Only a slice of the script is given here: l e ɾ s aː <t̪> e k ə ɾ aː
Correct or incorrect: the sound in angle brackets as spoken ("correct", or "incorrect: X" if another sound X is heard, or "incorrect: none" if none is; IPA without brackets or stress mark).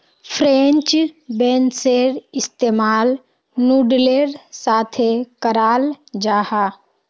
incorrect: t̪ʰ